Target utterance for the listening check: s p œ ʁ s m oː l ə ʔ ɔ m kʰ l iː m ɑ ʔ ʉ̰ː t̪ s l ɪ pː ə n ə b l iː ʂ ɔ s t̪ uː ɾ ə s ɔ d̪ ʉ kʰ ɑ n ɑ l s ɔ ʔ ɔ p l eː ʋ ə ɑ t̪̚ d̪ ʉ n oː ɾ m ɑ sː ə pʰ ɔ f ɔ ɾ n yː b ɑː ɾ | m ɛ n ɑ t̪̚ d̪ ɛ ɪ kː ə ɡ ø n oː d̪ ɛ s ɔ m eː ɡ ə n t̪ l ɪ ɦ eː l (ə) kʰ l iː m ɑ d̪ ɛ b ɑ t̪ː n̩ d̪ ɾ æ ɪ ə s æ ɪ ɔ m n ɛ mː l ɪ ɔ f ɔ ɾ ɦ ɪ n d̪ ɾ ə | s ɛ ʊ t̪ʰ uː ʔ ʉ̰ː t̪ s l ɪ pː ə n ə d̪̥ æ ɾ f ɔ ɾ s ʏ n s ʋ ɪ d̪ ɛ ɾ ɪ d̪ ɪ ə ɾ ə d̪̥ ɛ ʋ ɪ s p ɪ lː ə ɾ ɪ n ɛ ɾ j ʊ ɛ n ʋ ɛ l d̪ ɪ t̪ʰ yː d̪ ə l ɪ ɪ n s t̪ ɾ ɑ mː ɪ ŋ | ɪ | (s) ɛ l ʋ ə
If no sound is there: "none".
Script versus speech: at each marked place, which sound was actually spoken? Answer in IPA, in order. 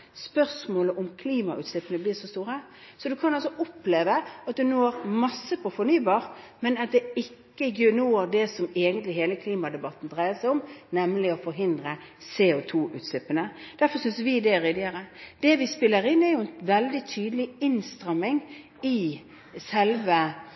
ə, s

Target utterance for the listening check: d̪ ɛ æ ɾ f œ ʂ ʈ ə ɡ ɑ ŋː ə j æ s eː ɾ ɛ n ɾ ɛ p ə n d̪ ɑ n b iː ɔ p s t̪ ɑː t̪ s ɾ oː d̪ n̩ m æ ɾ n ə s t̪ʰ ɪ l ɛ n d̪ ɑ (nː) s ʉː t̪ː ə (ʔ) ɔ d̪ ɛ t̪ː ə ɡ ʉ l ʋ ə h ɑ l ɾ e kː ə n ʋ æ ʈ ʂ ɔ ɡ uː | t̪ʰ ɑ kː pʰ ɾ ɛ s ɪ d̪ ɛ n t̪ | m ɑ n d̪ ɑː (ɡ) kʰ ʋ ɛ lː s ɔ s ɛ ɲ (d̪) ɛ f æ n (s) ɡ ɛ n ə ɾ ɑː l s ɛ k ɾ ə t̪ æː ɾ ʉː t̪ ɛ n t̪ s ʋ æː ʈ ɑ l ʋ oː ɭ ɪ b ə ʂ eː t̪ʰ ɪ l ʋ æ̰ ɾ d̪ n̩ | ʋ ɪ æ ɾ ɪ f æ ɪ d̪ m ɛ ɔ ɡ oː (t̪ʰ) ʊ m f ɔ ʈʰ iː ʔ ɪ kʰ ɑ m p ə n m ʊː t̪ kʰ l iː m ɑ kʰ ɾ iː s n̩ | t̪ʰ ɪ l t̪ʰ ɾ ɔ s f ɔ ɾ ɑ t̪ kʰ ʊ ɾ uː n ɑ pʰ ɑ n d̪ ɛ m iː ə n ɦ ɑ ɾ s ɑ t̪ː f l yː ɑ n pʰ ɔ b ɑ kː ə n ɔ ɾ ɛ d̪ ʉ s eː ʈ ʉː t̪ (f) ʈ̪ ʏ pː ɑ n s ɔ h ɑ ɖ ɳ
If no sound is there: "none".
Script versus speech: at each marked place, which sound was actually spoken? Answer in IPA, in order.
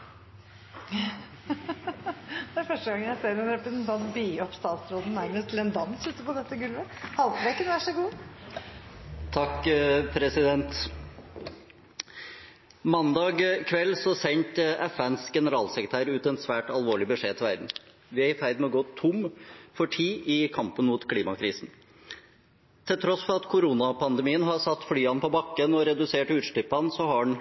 n, p, ɡ, t̪, s, t̪ʰ, ʂ

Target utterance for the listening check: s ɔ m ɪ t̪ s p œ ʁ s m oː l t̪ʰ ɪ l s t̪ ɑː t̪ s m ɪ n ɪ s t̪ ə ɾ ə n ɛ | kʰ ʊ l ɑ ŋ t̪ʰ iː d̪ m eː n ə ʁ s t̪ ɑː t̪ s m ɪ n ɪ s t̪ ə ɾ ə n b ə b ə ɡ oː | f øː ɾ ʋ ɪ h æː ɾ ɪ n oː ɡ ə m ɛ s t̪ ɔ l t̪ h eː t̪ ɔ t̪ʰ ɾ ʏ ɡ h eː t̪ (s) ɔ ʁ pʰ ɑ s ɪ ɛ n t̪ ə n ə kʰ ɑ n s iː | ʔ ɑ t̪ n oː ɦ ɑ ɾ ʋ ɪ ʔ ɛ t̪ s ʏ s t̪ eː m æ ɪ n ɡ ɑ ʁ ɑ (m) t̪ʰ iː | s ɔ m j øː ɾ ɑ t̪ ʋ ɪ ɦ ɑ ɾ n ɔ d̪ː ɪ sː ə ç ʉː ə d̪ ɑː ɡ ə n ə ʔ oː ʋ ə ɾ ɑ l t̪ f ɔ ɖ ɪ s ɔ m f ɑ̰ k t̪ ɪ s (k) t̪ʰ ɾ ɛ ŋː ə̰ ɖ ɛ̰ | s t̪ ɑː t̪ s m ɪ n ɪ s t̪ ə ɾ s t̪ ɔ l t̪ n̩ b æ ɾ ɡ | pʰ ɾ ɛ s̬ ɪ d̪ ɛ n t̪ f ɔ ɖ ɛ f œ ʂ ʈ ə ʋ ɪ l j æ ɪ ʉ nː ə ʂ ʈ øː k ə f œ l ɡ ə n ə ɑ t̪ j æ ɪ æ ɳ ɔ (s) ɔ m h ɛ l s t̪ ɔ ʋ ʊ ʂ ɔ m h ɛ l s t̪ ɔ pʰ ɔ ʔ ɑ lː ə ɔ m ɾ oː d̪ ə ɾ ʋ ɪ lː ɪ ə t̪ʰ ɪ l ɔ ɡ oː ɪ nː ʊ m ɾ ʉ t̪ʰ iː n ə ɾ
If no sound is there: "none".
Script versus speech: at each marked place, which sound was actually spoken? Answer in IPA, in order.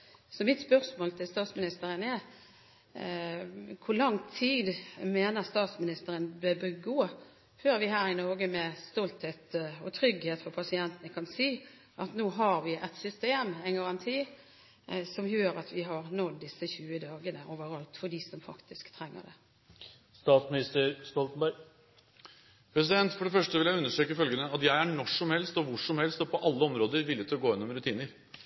f, n, k, ʂ

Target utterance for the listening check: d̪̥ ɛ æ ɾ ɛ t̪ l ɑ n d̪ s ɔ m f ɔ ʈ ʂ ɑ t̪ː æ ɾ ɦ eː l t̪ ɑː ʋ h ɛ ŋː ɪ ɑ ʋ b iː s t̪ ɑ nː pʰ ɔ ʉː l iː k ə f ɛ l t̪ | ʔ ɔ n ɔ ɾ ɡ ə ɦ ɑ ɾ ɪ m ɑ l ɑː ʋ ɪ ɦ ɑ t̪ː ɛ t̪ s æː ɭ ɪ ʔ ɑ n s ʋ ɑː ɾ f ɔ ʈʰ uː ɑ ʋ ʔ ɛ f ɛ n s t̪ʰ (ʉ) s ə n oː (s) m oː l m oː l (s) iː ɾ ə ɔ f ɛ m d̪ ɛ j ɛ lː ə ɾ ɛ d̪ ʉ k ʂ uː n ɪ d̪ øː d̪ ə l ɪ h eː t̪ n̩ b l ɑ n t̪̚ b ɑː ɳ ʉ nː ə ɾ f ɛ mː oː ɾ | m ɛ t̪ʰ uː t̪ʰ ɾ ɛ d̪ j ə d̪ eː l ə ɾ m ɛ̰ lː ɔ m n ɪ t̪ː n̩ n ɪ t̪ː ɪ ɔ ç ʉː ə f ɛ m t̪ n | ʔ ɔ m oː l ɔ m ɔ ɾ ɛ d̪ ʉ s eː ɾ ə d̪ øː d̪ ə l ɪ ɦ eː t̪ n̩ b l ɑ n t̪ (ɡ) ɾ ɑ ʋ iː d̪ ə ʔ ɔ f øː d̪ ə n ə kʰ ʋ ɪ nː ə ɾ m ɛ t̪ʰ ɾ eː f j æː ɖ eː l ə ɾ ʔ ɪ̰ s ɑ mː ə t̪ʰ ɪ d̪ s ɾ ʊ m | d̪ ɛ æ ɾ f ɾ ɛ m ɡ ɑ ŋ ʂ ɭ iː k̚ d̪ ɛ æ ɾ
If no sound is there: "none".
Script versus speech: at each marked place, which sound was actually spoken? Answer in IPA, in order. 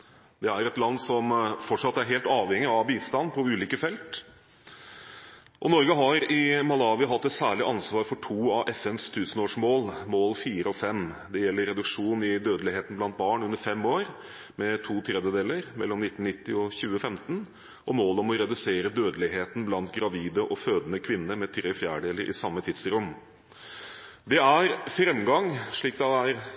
ʉː, ʂ, f, ɡ

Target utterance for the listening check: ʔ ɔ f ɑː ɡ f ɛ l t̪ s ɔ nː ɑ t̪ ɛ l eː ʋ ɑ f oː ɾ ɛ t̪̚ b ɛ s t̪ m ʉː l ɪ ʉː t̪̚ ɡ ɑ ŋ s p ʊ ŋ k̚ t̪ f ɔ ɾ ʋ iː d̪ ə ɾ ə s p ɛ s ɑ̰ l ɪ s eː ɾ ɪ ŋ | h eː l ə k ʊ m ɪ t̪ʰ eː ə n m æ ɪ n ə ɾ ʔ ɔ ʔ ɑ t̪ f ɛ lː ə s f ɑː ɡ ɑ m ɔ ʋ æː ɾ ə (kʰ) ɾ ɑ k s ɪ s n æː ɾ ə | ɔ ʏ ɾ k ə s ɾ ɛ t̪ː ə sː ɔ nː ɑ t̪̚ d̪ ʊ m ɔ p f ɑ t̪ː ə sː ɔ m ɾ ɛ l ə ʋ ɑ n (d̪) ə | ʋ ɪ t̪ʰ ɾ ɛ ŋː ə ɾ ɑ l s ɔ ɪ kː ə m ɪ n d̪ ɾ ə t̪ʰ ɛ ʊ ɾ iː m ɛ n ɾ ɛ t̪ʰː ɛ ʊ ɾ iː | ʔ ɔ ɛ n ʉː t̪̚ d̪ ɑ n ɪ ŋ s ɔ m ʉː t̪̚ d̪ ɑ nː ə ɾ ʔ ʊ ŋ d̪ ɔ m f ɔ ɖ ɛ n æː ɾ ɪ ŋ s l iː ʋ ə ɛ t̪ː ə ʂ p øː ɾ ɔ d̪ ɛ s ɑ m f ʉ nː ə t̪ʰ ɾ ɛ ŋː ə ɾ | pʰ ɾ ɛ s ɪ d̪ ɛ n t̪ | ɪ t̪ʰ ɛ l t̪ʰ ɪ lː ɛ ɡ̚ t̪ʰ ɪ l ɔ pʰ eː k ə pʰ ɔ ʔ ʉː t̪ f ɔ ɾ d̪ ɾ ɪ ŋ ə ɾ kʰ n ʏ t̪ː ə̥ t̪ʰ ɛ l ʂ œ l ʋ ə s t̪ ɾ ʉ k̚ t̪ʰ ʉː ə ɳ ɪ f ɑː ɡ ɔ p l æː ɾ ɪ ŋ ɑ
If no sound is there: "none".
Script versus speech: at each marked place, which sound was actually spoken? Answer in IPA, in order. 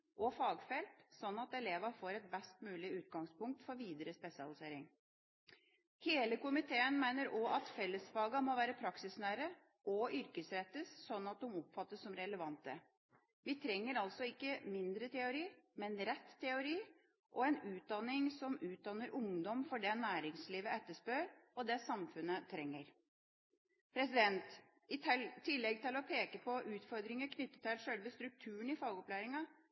pʰ, t̪

